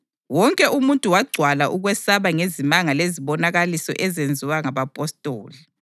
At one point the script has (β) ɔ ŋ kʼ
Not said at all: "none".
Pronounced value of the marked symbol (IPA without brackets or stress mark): w